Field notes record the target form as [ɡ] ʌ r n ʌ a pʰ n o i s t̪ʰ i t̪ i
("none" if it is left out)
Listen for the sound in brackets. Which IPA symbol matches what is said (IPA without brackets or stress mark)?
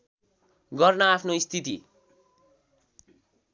ɡ